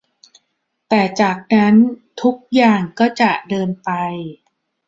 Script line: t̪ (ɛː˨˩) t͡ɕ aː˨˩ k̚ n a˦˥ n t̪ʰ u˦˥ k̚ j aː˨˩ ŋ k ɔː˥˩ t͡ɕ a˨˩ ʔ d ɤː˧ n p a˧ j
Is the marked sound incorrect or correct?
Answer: correct